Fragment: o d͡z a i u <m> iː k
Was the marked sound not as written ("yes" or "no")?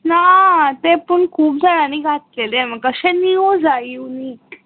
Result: yes